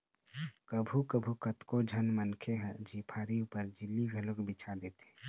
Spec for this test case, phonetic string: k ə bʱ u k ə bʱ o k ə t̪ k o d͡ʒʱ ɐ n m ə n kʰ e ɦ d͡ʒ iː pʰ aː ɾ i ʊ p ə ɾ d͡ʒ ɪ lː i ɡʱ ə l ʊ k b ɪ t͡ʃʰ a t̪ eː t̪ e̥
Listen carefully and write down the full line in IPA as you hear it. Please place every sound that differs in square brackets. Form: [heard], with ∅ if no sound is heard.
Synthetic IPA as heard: k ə bʱ u k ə bʱ [u] k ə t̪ k o d͡ʒʱ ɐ n m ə n kʰ e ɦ d͡ʒ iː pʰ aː ɾ i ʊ p ə ɾ d͡ʒ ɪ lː i ɡʱ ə l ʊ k b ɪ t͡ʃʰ a [d̪] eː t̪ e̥